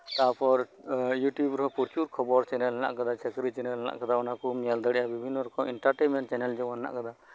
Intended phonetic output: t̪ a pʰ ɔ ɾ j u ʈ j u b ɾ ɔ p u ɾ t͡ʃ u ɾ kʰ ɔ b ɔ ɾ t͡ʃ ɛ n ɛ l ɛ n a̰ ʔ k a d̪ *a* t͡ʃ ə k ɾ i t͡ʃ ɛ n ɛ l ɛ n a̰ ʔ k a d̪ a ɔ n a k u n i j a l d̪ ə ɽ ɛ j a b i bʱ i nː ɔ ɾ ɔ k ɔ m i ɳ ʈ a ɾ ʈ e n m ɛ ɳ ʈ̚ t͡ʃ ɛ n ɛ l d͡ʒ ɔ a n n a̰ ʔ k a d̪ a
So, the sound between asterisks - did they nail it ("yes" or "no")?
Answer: yes